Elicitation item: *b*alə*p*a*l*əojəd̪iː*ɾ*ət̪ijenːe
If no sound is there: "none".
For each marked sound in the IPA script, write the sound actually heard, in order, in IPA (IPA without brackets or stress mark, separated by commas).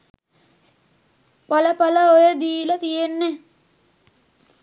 p, p, l, l